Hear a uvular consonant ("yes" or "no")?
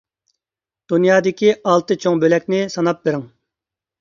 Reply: no